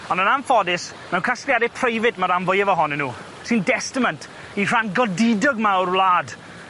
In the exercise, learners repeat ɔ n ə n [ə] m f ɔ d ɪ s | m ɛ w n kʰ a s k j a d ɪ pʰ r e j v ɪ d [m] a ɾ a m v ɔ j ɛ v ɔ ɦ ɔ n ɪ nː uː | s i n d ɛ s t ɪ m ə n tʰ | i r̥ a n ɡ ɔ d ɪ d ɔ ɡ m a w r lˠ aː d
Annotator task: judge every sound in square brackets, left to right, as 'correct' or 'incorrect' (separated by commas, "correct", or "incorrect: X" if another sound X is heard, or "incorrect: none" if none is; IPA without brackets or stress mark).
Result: incorrect: a, correct